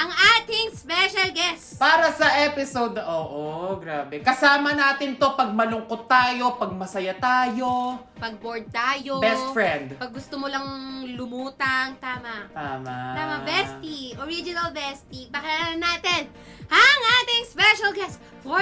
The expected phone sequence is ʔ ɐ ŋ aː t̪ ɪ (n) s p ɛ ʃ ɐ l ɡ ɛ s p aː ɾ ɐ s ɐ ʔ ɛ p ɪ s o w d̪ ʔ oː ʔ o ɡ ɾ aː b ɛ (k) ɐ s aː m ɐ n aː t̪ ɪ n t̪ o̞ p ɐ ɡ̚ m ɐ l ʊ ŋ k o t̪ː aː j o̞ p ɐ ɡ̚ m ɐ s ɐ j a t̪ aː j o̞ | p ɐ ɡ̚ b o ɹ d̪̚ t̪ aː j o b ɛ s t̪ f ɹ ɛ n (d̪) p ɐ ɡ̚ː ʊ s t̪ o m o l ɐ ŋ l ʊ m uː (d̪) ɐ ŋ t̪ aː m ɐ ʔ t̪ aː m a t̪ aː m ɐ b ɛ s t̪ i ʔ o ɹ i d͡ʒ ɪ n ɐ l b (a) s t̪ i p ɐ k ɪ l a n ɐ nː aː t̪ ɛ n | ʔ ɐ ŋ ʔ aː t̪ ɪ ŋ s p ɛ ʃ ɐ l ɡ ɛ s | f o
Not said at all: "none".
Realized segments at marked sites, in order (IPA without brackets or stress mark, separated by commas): ŋ, k, d̪, t̪, ɛ